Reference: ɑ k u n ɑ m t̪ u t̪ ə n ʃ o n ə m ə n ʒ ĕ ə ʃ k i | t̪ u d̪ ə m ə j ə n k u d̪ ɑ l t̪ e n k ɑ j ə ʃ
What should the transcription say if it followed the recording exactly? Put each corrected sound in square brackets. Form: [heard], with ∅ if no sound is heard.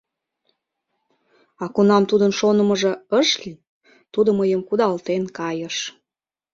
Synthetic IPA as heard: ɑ k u n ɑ m t̪ u [d̪] ə n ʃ o n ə m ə [∅] ʒ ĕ ə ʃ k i | t̪ u d̪ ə m ə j ə [m] k u d̪ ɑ l t̪ e n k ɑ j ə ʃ

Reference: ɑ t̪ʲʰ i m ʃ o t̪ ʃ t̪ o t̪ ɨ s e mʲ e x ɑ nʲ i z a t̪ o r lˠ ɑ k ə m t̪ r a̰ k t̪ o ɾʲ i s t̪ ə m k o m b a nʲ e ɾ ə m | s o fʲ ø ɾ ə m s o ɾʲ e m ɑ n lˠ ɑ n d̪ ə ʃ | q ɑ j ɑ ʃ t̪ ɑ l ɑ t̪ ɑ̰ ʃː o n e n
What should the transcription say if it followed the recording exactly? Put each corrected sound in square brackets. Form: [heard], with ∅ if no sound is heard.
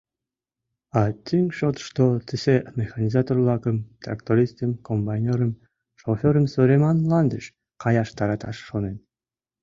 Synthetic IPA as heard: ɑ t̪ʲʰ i [ŋ] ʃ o t̪ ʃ t̪ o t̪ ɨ s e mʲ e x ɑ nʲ i z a t̪ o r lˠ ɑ k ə m t̪ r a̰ k t̪ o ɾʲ i s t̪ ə m k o m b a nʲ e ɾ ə m | [ʃ] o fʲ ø ɾ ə m s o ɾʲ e m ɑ n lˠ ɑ n d̪ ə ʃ | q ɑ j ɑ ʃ t̪ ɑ [ɾ] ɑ t̪ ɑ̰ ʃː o n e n

